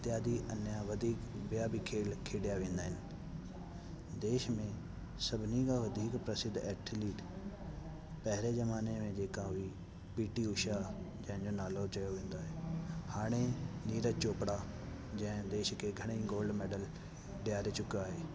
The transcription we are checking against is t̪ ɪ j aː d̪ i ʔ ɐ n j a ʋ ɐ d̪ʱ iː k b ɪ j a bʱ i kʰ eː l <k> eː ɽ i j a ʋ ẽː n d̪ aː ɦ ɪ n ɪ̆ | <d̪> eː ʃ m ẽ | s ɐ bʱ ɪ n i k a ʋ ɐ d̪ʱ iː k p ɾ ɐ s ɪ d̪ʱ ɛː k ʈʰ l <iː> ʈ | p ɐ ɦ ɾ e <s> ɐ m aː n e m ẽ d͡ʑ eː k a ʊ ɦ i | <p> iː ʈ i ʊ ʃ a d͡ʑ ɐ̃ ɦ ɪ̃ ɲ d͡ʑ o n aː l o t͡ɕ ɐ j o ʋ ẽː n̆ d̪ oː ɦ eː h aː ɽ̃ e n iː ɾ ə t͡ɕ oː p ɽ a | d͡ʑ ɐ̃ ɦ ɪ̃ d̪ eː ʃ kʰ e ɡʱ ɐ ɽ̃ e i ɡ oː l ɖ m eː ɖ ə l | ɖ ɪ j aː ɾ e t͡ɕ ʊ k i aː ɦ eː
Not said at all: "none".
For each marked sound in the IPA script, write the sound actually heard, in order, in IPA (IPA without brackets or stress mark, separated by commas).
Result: kʰ, d̪, iː, z, p